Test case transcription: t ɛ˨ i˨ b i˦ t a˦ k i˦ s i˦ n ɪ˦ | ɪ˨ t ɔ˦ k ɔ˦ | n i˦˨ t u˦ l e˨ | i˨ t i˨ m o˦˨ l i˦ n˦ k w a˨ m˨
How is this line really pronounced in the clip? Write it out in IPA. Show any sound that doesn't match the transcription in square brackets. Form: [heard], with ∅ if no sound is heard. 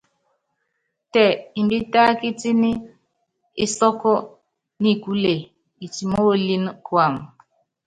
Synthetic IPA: t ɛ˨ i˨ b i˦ t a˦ k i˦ [t] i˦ n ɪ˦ | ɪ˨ [s] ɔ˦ k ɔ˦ | n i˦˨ [k] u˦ l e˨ | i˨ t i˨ m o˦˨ l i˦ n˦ k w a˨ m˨